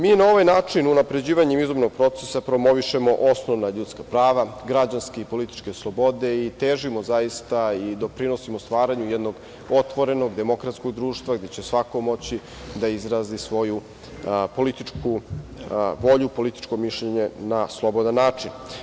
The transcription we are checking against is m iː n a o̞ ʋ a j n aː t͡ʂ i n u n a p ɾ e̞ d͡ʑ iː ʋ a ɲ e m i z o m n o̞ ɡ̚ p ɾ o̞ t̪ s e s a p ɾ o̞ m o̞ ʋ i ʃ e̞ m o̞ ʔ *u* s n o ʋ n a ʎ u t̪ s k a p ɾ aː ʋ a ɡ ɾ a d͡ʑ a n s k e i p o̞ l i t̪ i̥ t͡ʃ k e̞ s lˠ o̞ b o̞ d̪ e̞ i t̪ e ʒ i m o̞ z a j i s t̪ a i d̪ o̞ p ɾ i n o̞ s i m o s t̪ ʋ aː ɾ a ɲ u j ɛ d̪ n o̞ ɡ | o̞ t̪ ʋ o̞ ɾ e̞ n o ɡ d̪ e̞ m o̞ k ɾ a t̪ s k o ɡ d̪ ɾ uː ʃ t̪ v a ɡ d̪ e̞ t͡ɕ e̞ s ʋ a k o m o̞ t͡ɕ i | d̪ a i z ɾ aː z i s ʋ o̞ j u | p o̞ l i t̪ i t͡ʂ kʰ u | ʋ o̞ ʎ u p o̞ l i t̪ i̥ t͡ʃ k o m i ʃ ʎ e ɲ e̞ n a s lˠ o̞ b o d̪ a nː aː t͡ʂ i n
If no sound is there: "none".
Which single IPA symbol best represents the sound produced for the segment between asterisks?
o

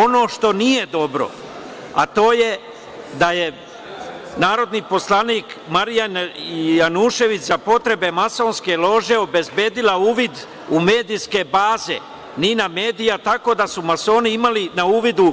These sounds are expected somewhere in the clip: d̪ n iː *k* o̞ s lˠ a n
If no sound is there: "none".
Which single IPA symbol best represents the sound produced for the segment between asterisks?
p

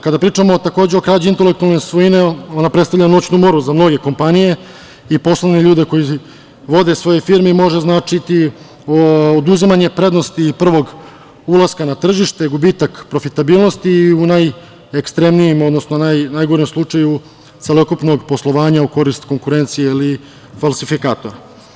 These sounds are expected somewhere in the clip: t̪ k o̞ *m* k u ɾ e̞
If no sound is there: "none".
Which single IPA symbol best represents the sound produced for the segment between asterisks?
ŋ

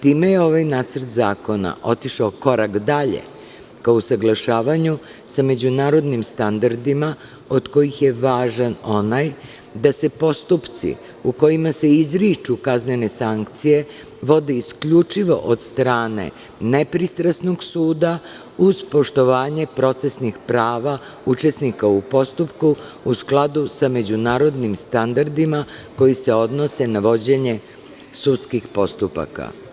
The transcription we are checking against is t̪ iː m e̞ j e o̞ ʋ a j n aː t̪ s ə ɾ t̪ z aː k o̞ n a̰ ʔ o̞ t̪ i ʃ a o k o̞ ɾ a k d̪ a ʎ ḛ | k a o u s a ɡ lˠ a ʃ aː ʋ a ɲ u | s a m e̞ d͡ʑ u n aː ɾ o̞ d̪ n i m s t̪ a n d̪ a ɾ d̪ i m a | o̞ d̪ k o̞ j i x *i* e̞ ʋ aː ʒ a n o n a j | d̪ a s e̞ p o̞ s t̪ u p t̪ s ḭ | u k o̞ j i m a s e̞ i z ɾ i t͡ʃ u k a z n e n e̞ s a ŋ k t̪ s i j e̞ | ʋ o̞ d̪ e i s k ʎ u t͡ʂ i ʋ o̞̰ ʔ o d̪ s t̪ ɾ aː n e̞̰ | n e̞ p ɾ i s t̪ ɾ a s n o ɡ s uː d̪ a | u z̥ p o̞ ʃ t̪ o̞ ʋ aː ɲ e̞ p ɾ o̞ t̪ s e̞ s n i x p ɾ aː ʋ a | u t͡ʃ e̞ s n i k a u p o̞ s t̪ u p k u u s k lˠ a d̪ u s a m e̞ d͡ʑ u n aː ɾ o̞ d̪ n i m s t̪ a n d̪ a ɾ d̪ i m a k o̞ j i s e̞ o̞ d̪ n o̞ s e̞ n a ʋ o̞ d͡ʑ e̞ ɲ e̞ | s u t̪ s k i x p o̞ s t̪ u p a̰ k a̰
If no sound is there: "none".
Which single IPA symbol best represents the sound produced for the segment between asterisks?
j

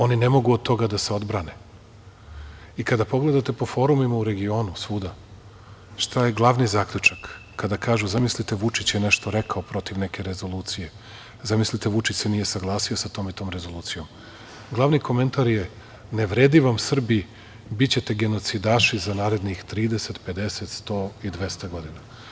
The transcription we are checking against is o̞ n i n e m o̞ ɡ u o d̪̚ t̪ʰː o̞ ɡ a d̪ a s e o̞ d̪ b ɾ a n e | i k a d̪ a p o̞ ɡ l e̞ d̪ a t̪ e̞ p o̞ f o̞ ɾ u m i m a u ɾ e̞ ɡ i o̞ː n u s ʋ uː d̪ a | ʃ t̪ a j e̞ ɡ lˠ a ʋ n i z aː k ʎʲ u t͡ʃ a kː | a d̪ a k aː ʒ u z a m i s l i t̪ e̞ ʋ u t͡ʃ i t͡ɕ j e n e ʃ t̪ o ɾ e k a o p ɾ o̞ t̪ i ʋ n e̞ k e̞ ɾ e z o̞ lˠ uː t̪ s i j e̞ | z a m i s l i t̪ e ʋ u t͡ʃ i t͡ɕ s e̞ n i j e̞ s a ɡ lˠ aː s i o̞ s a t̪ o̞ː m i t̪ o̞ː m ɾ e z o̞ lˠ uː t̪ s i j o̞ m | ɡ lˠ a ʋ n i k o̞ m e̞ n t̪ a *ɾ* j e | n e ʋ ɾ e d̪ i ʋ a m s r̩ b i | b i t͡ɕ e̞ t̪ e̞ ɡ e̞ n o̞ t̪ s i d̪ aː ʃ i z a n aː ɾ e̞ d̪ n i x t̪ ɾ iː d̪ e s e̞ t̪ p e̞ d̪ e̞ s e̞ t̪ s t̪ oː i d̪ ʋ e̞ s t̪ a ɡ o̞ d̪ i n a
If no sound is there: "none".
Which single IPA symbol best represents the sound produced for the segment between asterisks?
ɾ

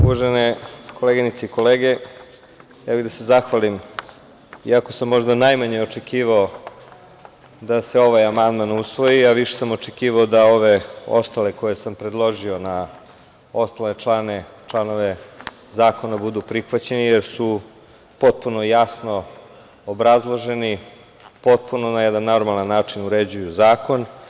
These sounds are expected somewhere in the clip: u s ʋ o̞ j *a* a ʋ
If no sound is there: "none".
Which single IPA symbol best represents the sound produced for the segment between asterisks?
i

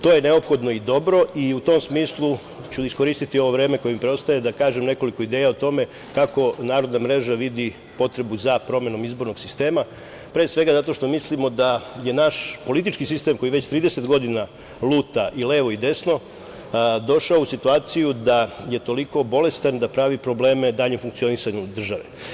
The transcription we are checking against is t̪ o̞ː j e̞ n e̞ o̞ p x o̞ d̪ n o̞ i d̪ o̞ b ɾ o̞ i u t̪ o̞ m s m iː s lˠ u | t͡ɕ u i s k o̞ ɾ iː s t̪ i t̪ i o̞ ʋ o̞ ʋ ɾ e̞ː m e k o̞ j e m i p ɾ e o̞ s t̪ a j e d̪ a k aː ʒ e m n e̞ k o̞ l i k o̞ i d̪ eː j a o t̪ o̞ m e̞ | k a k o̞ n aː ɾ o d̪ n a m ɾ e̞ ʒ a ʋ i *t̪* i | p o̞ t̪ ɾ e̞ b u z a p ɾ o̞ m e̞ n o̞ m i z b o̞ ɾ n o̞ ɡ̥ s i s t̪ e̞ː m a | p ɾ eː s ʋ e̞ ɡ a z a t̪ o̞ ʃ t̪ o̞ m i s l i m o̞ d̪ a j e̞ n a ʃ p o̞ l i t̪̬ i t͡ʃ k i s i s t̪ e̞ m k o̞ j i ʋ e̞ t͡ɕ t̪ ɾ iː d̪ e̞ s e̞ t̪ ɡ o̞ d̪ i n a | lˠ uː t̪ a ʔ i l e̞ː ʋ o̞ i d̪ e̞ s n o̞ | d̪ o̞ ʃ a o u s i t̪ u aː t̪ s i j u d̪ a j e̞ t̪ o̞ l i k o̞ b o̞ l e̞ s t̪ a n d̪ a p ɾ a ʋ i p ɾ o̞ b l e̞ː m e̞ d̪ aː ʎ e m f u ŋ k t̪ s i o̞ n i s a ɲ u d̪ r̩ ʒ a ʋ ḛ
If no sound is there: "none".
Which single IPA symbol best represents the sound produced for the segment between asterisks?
d̪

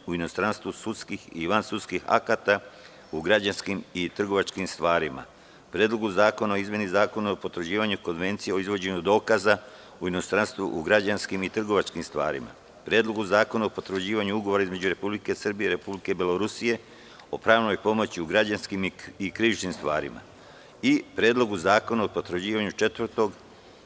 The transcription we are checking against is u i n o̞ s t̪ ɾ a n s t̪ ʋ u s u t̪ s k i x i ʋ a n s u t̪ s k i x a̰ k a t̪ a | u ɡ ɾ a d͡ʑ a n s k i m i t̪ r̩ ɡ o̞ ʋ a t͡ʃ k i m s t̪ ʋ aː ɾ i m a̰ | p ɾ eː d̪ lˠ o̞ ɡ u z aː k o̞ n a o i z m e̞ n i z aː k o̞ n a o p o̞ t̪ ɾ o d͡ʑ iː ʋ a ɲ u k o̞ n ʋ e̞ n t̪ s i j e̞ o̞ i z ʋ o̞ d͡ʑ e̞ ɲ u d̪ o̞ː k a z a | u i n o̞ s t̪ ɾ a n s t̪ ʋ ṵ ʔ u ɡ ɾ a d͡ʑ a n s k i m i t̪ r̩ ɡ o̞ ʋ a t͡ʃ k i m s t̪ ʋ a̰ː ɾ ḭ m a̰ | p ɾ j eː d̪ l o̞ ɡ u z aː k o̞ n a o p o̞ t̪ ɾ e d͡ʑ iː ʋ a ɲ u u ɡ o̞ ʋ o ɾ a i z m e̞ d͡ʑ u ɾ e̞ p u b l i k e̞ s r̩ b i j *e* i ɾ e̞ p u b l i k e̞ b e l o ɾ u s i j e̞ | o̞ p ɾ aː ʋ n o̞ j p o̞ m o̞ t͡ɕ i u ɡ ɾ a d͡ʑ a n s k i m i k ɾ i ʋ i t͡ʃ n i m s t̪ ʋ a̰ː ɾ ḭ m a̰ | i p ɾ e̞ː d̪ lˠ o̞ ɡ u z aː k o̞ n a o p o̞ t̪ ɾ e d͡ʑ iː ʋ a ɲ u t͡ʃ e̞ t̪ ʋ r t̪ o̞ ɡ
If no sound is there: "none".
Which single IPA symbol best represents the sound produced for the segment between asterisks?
e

